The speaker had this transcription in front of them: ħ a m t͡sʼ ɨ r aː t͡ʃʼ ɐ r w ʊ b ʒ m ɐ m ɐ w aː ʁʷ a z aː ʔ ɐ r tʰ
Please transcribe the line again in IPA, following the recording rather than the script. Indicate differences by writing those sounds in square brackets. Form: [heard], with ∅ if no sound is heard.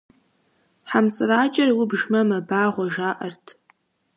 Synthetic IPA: ħ a m t͡sʼ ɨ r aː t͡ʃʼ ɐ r w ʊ b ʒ m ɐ m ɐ [b] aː ʁʷ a [ʒ] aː ʔ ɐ r tʰ